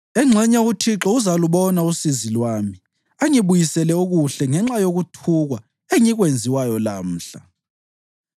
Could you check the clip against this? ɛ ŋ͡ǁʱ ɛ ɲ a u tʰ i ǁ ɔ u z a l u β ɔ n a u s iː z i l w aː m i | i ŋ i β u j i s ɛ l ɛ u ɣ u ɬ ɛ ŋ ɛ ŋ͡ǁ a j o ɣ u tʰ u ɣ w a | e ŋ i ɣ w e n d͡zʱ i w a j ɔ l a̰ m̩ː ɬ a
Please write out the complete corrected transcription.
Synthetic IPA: ɛ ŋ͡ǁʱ ɛ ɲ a u tʰ i ǁ ɔ u z a l u β ɔ n a u s i z i l w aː m i | a ŋ i β u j i s ɛ l ɛ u ɣ u ɬ ɛ ŋ ɛ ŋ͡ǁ a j o ɣ u tʰ u ɣ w a | e ŋ i ɣ w e n d͡zʱ i w a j ɔ l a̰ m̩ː ɬ a